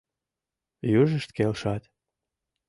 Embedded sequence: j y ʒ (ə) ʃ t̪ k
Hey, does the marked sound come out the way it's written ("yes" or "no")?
yes